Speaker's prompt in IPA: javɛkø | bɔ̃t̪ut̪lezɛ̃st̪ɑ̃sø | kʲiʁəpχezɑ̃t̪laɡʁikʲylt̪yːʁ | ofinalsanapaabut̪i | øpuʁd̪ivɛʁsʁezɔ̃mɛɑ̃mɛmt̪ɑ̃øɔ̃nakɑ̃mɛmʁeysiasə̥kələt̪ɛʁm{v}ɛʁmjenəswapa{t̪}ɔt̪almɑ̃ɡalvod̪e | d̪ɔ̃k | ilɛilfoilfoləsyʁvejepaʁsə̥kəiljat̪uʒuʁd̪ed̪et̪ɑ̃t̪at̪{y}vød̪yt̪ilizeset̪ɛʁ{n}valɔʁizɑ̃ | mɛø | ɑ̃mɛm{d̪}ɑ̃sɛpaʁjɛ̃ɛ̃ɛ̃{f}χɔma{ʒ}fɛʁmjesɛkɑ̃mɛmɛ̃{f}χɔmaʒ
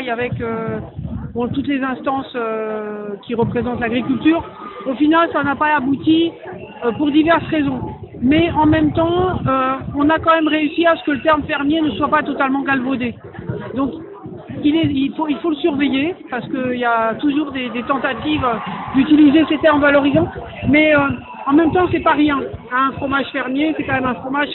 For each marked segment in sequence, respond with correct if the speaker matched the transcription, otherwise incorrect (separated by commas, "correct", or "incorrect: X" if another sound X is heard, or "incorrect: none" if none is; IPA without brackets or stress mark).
incorrect: f, correct, incorrect: i, incorrect: m, incorrect: t̪, correct, correct, correct